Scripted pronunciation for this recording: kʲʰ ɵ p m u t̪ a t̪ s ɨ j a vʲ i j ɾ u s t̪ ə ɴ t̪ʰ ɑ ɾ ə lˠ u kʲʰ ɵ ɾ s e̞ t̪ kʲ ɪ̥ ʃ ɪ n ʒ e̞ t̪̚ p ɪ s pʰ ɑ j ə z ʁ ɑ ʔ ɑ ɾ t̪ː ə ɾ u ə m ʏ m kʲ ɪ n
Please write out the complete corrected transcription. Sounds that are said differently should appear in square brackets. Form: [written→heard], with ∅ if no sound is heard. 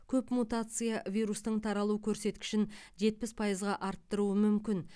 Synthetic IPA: kʲʰ ɵ p m u t̪ a t̪ s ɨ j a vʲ i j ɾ u s t̪ ə ɴ t̪ʰ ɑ ɾ [ə→ɑ] lˠ u kʲʰ ɵ ɾ s e̞ t̪ kʲ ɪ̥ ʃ ɪ n ʒ e̞ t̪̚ p ɪ s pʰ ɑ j ə z ʁ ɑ ʔ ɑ ɾ t̪ː ə ɾ u ə m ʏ m kʲ ɪ n